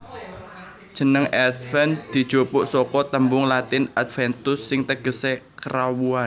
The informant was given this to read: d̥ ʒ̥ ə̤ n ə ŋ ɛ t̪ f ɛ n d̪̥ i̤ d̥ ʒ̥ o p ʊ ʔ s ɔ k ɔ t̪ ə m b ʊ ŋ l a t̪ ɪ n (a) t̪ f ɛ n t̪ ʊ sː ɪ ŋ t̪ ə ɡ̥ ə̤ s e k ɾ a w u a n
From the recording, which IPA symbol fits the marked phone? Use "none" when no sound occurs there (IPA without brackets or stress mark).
a